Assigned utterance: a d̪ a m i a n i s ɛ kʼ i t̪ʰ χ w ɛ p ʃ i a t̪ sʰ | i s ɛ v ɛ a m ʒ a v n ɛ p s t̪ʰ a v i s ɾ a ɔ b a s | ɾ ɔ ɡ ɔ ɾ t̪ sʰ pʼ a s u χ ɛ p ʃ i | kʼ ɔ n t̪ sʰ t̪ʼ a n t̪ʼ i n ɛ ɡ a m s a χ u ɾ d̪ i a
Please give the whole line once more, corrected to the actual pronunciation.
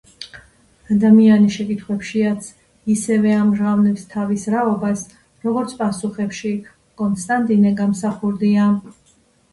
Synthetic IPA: a d̪ a m i a n i ʃ ɛ kʼ i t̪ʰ χ w ɛ p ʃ i a t̪ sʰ | i s ɛ v ɛ a m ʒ a v n ɛ p s t̪ʰ a v i s ɾ a ɔ b a s | ɾ ɔ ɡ ɔ ɾ t̪ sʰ pʼ a s u χ ɛ p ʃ i | kʼ ɔ n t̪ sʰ t̪ʼ a n t̪ʼ i n ɛ ɡ a m s a χ u ɾ d̪ i a